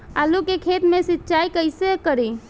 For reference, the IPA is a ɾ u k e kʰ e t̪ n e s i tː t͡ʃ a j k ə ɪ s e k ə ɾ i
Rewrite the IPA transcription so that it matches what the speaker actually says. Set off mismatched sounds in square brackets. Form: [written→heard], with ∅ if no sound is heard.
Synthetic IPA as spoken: a [ɾ→l] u k e kʰ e t̪ [n→m] e s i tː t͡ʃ a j k ə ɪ s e k ə ɾ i